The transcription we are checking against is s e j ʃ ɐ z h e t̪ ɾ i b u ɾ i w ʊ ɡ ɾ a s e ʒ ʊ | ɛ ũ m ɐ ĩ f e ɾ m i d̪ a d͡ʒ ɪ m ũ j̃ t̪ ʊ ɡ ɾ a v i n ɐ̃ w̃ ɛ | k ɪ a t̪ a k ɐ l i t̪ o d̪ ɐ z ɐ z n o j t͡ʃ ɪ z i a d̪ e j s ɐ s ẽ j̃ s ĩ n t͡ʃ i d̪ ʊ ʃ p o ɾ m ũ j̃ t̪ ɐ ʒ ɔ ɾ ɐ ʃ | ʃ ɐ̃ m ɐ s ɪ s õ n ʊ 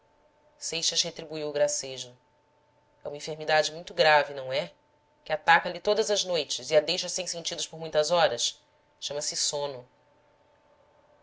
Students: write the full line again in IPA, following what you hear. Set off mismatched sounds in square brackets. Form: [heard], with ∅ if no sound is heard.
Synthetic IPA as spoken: s e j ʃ ɐ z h e t̪ ɾ i b u [∅] i w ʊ ɡ ɾ a s e ʒ ʊ | ɛ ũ m ɐ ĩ f e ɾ m i d̪ a d͡ʒ ɪ m ũ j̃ t̪ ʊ ɡ ɾ a v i n ɐ̃ w̃ ɛ | k ɪ a t̪ a k ɐ l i t̪ o d̪ ɐ z ɐ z n o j t͡ʃ ɪ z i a d̪ e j [ʃ] ɐ s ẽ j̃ s [ẽ] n t͡ʃ i d̪ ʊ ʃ p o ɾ m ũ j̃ t̪ ɐ [z] ɔ ɾ ɐ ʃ | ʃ ɐ̃ m ɐ s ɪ s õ n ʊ